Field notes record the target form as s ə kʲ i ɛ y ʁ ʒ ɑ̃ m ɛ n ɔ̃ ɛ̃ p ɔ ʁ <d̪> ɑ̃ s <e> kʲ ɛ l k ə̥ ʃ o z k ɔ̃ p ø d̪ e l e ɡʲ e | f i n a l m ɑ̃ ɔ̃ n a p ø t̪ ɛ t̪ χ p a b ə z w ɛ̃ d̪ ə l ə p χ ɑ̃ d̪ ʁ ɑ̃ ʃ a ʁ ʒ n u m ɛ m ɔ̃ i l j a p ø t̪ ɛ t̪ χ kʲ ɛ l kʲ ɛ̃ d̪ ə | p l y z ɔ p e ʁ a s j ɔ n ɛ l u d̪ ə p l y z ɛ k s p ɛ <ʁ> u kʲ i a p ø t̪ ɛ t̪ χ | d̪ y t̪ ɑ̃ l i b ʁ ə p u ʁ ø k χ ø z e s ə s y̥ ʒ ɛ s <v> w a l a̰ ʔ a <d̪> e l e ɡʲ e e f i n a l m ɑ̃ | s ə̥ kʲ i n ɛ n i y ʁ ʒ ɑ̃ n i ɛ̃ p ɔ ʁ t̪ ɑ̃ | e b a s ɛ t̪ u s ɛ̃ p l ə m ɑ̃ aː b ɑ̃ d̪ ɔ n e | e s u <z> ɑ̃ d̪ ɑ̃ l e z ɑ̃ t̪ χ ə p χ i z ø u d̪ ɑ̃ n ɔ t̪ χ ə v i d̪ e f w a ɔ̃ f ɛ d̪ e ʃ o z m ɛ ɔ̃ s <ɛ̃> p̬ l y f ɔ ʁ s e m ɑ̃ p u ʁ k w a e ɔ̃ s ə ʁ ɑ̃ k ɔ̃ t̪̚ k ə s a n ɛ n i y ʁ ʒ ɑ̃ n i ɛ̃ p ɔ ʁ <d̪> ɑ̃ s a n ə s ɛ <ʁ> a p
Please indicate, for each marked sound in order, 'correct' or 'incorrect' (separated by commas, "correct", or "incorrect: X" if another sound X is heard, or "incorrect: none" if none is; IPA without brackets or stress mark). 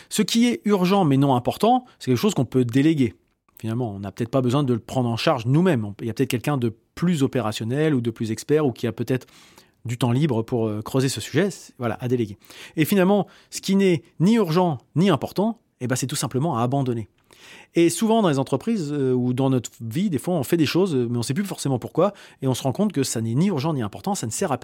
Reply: incorrect: t̪, incorrect: ɛ, correct, correct, correct, incorrect: v, incorrect: ɛ, incorrect: t̪, correct